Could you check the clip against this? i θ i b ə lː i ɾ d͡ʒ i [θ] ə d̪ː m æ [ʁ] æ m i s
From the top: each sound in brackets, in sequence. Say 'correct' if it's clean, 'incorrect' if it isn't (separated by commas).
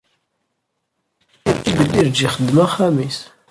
incorrect, incorrect